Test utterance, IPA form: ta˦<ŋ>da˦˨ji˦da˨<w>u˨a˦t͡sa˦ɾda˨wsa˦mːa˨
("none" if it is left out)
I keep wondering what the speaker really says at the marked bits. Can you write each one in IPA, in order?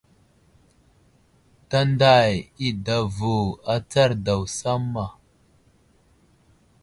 n, v

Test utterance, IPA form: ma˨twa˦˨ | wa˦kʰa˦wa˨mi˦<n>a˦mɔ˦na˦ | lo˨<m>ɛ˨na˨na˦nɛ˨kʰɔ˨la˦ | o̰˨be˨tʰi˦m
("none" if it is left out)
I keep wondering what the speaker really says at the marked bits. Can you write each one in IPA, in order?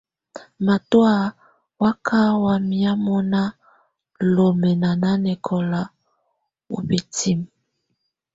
none, m

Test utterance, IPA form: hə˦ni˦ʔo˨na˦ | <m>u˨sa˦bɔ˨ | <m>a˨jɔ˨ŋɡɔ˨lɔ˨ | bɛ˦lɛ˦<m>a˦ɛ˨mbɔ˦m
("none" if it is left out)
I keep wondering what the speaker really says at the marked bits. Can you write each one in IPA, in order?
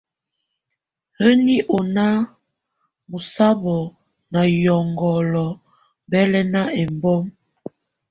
m, n, n

